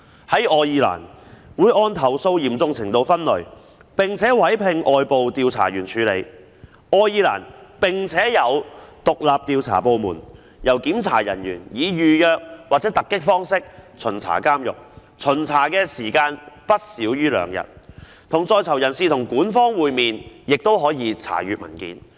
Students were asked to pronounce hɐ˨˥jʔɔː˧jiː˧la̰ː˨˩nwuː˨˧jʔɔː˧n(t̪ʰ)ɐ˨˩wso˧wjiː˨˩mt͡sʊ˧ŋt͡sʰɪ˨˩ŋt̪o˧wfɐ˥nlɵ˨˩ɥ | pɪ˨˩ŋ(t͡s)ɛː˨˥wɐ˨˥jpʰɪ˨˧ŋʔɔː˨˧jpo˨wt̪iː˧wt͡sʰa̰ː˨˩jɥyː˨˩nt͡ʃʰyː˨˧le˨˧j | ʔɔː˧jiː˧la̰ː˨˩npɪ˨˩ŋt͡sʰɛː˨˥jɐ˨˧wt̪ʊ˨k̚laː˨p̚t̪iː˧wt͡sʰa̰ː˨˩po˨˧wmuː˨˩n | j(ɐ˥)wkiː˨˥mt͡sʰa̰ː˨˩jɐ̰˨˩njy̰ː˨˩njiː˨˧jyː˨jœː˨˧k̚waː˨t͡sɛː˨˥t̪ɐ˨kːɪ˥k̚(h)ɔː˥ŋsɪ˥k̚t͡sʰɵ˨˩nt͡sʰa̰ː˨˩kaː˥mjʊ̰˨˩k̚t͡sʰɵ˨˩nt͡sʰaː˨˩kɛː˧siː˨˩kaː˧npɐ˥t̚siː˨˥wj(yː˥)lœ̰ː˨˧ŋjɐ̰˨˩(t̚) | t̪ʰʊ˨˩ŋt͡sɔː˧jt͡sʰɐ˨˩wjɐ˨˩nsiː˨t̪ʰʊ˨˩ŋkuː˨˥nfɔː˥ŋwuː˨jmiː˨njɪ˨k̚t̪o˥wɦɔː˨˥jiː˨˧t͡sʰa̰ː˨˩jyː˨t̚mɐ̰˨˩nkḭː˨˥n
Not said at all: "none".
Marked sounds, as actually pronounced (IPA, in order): t̪ʰ, t͡sʰ, ɐ˨˩, f, yː˥, t̚

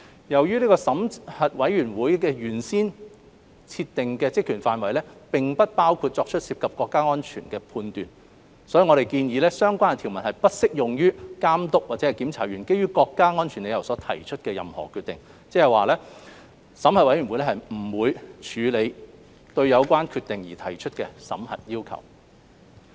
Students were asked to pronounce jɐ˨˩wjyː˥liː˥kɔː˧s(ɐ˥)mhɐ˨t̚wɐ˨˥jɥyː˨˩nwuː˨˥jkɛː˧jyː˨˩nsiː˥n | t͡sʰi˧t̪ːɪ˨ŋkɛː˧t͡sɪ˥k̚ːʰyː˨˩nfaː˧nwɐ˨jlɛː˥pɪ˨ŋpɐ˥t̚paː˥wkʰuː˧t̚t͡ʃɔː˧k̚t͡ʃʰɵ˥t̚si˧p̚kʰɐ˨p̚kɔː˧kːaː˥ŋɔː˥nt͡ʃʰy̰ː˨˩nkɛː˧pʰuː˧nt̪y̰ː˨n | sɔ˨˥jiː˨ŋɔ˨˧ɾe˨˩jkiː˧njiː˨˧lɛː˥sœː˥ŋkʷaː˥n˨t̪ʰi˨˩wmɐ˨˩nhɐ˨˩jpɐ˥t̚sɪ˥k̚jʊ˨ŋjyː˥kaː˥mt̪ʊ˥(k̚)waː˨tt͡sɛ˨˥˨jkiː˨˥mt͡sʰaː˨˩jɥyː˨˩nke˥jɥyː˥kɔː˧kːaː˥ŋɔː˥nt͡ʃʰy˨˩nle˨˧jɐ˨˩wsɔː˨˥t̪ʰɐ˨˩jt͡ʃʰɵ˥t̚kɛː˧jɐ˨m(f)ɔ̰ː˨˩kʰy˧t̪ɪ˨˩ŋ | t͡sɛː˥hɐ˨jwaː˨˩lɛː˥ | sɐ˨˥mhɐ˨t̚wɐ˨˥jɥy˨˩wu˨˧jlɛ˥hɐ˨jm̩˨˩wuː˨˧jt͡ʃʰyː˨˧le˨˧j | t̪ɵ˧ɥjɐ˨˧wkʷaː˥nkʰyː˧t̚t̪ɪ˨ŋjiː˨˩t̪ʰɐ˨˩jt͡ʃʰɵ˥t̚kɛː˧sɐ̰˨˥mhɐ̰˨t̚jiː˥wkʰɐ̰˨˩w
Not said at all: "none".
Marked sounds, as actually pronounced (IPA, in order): ɐ˨˥, k̚, h

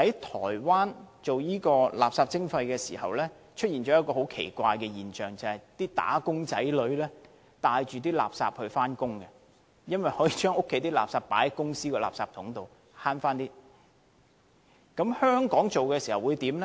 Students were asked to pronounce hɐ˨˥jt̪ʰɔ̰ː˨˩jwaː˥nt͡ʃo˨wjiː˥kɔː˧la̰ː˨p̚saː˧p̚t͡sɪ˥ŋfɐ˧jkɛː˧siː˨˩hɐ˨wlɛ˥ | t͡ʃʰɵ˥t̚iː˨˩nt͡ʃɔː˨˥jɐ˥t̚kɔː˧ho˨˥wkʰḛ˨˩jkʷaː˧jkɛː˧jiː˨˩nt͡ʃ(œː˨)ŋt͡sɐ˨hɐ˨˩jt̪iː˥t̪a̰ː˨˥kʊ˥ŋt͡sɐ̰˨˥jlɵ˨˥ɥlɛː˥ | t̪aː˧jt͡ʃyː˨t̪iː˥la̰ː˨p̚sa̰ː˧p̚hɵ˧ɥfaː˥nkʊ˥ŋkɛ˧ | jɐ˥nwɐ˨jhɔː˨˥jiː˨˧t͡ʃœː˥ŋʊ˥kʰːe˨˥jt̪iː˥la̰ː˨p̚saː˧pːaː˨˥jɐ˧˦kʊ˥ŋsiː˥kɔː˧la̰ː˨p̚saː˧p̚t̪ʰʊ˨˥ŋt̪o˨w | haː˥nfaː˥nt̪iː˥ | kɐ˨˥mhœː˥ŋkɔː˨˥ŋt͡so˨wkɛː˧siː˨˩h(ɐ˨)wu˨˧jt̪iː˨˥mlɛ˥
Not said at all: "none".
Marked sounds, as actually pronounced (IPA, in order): œː˨, ɐ˨

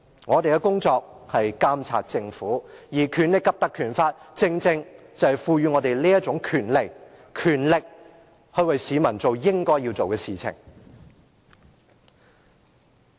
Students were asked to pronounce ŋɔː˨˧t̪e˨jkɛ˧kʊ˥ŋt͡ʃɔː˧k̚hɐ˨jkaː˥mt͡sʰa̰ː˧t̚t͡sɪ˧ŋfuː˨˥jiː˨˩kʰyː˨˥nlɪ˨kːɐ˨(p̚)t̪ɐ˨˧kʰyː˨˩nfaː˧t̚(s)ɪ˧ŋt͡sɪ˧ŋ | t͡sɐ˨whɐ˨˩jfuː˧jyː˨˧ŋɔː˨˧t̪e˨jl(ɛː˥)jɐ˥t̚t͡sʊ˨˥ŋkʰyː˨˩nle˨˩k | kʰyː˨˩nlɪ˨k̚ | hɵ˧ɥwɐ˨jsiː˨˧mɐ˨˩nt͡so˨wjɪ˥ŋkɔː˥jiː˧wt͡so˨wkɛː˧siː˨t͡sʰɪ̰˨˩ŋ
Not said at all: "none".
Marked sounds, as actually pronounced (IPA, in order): p̚, t͡s, iː˥

